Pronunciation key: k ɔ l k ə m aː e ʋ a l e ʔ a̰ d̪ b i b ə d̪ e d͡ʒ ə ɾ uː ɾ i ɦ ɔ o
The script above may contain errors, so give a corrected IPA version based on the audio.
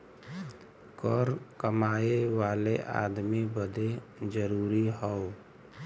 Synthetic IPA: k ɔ ɾ k ə m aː e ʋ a l e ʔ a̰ d̪ m i b ə d̪ e d͡ʒ ə ɾ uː ɾ i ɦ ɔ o